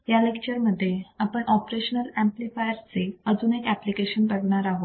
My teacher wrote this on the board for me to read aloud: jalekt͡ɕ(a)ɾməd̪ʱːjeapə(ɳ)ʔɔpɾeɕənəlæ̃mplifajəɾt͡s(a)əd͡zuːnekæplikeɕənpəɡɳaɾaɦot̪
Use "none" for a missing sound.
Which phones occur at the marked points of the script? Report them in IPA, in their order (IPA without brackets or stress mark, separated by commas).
ə, ɳ, e